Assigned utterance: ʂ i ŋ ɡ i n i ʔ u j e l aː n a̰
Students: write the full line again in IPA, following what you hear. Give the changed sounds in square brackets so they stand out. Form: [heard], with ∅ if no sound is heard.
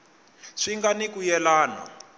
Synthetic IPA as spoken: ʂ i ŋ ɡ [a] n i [k] u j [ɛ] l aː n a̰

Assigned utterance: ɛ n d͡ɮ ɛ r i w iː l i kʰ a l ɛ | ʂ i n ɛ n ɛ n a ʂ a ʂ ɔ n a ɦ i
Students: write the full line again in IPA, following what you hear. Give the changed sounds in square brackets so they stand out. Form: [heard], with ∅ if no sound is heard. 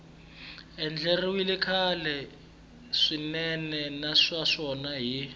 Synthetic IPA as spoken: ɛ n d͡ɮ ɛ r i w [i] l i kʰ a l ɛ | ʂ i n ɛ n ɛ n a ʂ a ʂ ɔ n a ɦ i

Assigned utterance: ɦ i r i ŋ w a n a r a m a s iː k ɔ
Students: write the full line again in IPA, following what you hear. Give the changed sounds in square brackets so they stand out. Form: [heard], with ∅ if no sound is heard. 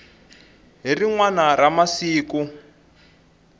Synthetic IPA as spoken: ɦ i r i ŋ w a n a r a m a s iː k [u]

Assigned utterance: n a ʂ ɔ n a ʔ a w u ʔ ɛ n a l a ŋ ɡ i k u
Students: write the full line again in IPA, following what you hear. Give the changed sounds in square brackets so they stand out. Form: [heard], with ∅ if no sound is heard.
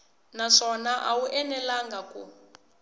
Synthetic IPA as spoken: n a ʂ ɔ n a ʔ a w u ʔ ɛ n [ɛ] l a ŋ ɡ [a] k u

